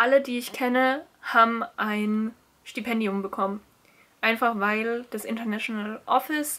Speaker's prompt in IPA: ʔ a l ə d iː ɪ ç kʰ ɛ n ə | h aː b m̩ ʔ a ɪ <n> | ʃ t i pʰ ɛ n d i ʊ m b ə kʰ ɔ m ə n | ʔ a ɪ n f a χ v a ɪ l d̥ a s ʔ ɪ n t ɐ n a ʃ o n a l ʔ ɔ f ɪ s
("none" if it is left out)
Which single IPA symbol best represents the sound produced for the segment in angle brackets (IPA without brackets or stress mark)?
n